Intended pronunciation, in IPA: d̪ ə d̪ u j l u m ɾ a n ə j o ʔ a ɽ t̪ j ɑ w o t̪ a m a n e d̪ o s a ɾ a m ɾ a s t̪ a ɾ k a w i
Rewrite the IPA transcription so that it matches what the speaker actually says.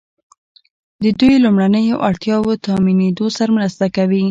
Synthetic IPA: d̪ ə d̪ u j l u m ɽ a n ə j o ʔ a ɽ t̪ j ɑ w o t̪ ɑ m i n e d̪ o s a ɾ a m ɾ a s t̪ a k a w i